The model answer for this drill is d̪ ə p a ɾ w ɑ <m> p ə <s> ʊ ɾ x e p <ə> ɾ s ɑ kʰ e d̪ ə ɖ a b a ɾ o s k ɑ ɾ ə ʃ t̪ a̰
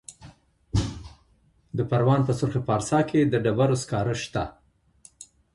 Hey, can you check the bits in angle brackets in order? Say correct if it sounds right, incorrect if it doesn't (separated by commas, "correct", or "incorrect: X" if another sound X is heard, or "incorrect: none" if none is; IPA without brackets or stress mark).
incorrect: n, correct, incorrect: ɑ